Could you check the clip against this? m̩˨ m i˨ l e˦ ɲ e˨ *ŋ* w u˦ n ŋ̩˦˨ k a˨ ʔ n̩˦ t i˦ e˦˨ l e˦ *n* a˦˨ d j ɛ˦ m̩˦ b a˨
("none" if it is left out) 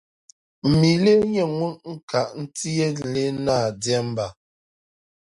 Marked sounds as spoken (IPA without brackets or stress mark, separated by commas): ŋ, n